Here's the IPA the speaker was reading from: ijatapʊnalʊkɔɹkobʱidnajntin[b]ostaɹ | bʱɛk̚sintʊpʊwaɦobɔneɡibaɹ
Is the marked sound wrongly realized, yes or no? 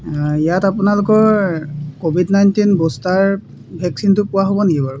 no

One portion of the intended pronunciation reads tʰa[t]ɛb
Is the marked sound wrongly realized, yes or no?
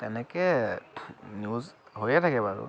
yes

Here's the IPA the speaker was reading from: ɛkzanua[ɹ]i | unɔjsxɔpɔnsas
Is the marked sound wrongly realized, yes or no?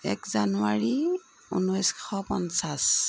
no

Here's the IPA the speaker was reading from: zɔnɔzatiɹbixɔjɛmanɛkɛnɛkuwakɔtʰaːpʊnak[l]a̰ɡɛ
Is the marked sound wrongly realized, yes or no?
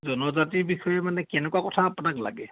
no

